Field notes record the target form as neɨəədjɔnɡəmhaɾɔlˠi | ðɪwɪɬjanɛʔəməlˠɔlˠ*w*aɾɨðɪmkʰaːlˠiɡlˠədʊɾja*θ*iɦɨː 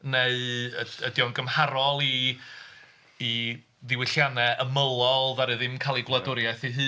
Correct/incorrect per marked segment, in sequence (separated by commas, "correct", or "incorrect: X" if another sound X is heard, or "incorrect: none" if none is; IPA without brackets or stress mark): incorrect: v, correct